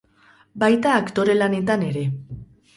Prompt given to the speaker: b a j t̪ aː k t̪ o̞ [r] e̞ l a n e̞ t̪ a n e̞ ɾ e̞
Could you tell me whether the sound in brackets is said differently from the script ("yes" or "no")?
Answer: yes